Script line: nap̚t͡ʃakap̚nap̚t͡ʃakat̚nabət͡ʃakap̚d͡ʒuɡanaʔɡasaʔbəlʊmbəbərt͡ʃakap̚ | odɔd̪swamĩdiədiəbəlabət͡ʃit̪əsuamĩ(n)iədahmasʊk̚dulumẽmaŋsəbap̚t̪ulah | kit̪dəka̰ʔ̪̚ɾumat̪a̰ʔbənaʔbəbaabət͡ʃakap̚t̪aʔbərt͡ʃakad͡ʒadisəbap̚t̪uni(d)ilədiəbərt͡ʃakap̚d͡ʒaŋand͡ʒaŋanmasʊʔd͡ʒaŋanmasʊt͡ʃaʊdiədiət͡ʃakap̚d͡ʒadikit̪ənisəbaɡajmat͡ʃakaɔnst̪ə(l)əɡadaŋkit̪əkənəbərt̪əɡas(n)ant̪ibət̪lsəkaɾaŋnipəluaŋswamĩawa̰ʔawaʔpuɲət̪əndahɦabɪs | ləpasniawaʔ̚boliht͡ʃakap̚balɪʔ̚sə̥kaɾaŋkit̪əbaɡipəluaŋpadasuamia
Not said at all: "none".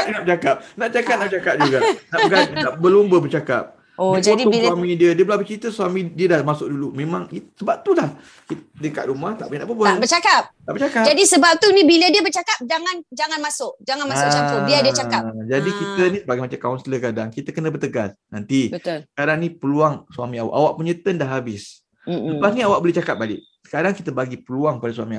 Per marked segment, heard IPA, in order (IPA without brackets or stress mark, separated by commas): d, b, l, n